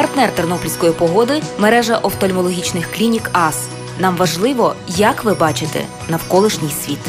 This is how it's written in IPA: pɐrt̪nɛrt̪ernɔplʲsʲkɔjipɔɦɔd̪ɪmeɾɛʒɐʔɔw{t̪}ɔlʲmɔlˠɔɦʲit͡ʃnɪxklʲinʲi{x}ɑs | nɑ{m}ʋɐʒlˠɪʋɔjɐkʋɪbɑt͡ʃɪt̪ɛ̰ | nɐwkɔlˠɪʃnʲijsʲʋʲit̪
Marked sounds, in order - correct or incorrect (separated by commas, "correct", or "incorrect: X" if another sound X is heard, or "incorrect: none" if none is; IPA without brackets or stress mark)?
correct, incorrect: k, correct